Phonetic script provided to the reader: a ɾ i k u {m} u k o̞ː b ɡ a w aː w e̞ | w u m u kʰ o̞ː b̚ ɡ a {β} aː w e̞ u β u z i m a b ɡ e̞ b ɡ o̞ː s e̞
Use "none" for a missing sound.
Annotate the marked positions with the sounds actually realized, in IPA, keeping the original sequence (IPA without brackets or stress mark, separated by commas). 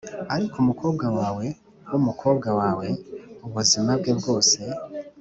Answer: m, w